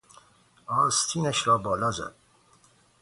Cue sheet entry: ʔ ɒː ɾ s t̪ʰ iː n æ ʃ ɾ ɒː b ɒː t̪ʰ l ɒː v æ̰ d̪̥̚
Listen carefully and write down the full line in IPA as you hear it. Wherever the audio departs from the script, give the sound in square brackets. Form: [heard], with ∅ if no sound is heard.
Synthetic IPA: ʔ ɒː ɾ s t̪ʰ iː n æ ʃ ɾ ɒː b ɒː [∅] l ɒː [z] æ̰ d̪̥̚